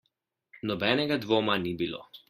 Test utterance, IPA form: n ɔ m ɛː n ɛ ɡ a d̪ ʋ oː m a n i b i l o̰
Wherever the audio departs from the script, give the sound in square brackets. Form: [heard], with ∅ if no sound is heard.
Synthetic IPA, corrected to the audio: n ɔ [b] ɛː n ɛ ɡ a d̪ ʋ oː m a n i b i l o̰

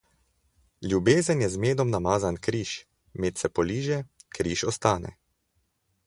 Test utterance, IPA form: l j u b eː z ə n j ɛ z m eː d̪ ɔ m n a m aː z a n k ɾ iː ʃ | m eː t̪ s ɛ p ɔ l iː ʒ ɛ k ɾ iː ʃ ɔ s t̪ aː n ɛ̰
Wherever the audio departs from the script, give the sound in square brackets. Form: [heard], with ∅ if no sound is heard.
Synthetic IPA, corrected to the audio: l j u b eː z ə n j ɛ z m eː d̪ ɔ m n a m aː z a n k ɾ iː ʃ | m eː t̪ s ɛ p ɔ l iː ʒ ɛ k ɾ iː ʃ ɔ s t̪ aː n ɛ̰

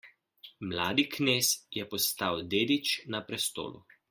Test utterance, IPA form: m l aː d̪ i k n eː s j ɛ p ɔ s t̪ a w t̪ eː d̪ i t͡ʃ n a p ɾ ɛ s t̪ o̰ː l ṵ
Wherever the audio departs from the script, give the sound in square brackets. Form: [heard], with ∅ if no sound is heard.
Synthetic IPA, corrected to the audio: m l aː d̪ i k n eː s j ɛ p ɔ s t̪ a w [d̪] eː d̪ i t͡ʃ n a p ɾ ɛ s t̪ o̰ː l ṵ

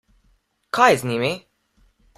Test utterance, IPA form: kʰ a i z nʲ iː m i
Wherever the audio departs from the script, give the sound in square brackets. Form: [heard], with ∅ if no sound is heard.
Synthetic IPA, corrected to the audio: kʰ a [j] z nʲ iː m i

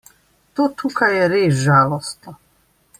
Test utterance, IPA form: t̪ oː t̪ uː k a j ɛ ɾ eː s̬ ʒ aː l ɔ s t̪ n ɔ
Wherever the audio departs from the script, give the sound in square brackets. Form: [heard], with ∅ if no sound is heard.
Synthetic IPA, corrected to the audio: t̪ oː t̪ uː k a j ɛ ɾ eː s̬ ʒ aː l ɔ s t̪ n ɔ

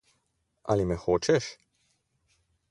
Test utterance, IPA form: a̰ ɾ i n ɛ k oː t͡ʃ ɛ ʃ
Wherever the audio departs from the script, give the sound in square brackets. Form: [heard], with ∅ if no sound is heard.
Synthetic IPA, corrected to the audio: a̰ [l] i [m] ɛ [x] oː t͡ʃ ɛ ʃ

